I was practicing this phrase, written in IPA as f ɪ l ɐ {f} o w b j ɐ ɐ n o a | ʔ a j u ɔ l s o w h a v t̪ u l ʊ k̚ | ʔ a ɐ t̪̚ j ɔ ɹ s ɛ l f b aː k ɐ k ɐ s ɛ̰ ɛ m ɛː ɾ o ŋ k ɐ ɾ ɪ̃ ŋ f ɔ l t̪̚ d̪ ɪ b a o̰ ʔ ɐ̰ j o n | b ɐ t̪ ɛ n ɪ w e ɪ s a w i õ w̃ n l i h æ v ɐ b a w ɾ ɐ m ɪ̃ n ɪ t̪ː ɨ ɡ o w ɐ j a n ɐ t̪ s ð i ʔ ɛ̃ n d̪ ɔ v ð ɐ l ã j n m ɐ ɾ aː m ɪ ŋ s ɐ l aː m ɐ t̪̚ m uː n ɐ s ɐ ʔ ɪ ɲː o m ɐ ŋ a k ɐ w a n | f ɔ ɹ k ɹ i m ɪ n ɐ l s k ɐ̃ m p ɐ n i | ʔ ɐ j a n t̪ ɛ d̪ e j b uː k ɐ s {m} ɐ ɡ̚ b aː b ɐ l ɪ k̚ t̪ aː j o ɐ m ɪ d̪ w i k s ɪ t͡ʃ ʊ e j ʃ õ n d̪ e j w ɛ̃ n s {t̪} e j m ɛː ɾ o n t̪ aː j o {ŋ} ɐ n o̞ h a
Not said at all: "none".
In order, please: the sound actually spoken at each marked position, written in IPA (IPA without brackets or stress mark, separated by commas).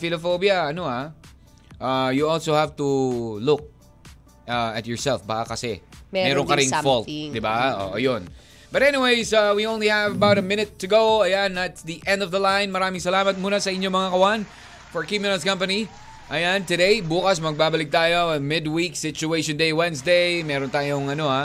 f, m, d̪, ŋ